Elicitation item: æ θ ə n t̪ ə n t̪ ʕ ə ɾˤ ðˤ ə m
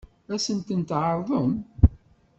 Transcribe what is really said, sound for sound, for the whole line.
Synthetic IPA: æ s ə n t̪ ə n t̪ ʕ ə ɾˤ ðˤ ə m